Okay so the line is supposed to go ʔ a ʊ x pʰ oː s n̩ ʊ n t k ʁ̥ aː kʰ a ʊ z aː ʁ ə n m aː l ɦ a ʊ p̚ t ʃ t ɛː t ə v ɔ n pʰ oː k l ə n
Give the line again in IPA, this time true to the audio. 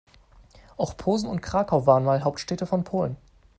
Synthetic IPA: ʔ a ʊ x pʰ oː z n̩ ʊ n t k ʁ̥ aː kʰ a ʊ v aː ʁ ə n m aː l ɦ a ʊ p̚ t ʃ t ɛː t ə f ɔ n pʰ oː l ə n